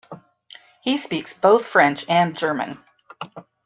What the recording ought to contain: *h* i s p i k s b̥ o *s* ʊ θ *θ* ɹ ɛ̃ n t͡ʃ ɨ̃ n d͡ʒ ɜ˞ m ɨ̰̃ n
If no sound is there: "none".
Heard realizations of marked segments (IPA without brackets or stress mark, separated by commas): h, none, f